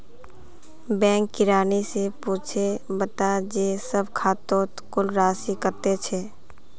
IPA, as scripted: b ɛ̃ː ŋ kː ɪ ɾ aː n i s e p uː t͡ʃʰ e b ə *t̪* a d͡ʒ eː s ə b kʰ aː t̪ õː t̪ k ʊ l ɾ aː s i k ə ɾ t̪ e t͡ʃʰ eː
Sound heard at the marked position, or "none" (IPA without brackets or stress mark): t̪